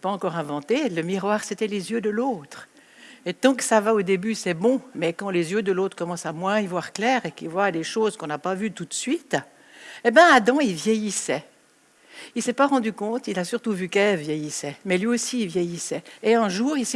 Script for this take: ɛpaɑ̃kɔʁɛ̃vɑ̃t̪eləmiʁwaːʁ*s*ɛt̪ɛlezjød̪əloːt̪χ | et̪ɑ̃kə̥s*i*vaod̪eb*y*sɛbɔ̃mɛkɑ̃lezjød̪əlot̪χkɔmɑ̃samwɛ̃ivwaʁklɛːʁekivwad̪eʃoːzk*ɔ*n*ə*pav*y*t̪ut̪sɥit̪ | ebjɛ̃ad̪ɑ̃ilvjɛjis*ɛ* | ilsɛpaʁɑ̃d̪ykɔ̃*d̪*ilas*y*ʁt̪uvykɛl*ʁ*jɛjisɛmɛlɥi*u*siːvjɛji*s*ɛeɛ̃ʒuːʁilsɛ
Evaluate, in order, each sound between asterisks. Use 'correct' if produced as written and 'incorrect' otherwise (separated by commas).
correct, incorrect, correct, incorrect, incorrect, correct, correct, incorrect, correct, incorrect, incorrect, correct